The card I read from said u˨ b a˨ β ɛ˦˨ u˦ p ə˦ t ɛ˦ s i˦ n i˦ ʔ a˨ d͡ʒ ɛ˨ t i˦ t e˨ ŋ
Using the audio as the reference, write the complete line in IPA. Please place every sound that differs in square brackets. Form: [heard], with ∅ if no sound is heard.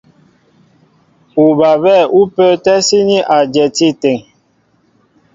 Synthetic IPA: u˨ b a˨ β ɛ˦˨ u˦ p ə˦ t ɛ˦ s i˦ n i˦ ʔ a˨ d͡ʒ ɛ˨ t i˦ t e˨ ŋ